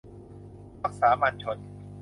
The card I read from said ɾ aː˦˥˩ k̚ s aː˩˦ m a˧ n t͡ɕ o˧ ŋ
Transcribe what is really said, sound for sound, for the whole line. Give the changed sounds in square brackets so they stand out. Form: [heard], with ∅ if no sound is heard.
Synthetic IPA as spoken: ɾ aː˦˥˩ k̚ s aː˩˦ m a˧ n [t͡ɕʰ] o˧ [n]